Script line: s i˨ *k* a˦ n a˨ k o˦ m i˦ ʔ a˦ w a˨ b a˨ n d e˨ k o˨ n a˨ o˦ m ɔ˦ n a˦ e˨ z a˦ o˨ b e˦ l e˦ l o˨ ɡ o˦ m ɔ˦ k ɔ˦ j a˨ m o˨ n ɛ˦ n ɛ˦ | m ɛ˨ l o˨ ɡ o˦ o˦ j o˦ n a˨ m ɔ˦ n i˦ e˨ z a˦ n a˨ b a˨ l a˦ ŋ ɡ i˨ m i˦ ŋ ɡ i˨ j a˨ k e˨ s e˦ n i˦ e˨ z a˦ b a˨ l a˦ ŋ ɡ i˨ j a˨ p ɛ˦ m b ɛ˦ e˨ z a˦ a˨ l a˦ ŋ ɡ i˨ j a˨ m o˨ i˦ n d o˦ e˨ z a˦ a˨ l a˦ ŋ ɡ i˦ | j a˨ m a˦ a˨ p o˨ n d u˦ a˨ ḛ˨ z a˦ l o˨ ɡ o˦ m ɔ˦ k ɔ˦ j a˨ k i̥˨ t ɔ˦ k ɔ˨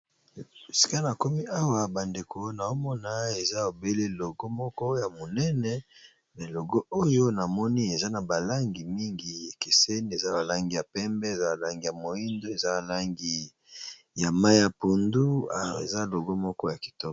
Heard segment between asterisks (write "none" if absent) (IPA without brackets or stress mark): k